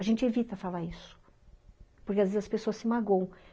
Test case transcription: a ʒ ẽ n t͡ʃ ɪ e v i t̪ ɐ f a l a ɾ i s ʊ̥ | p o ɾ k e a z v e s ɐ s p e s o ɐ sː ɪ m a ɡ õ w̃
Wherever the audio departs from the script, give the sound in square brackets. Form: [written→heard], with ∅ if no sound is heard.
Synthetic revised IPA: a ʒ ẽ n t͡ʃ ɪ e v i t̪ ɐ f a l a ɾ i s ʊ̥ | p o ɾ k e a z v e [s→z] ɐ s p e s o ɐ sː ɪ m a ɡ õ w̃